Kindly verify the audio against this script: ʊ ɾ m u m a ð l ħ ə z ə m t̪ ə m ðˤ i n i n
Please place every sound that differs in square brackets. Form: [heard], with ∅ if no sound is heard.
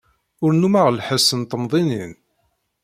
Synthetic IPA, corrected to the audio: ʊ ɾ [n] u m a [ʁ] l ħ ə [s] ə [n] t̪ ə m ðˤ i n i n